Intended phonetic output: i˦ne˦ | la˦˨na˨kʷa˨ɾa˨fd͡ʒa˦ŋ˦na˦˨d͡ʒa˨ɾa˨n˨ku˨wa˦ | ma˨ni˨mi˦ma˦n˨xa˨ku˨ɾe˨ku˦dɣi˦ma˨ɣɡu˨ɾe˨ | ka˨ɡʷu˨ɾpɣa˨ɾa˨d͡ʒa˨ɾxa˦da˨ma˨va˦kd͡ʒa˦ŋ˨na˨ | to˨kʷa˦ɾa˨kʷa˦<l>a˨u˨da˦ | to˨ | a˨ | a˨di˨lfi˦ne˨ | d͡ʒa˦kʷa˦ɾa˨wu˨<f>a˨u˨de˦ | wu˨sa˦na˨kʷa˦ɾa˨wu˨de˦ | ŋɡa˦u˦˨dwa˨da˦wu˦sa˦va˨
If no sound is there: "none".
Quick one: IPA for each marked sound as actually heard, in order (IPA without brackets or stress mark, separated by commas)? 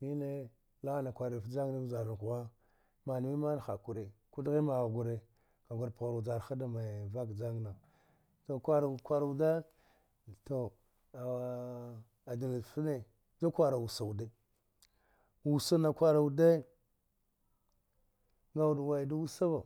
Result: ɾ, s